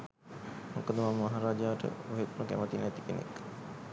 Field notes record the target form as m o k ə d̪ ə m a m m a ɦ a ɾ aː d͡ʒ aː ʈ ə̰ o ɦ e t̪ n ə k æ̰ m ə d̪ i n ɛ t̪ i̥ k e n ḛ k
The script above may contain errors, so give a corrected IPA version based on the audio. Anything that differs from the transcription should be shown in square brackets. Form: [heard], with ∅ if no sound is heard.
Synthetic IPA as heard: m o k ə d̪ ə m a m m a ɦ a ɾ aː d͡ʒ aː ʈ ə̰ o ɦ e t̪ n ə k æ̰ m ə [t̪] i n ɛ t̪ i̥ k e n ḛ k